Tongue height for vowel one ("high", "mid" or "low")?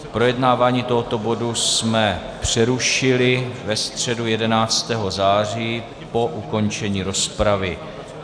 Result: mid